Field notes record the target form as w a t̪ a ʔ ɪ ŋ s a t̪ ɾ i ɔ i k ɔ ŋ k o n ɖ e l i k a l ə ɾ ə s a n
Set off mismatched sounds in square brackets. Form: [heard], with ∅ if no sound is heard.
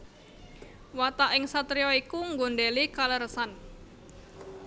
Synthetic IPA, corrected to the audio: w a t̪ a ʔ ɪ ŋ s a t̪ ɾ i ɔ i k [u] ŋ [ɡ] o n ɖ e l i k a l ə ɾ ə s a n